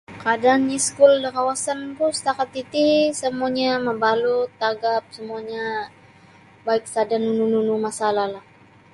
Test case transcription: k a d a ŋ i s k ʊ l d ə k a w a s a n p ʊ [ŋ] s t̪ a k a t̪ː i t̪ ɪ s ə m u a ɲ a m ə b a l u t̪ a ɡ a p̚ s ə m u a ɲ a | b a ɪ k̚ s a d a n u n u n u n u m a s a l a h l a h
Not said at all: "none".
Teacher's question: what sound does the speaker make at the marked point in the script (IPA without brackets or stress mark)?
none